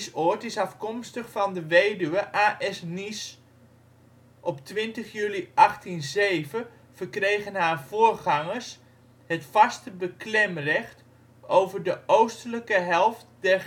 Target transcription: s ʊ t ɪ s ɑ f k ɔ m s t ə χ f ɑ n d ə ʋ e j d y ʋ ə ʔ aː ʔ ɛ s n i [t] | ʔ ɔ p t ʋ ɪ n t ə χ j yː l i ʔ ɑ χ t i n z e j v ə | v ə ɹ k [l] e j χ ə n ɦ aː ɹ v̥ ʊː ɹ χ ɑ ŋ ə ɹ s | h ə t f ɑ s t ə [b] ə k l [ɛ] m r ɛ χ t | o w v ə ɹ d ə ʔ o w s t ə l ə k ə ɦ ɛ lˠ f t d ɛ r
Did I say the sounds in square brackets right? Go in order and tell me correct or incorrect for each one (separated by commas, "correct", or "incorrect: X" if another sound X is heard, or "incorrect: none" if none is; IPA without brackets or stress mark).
incorrect: s, incorrect: r, correct, correct